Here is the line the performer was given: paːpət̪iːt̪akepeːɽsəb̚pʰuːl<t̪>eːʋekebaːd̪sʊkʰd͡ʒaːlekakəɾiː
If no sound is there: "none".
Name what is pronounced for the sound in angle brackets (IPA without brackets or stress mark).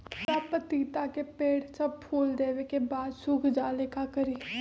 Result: d̪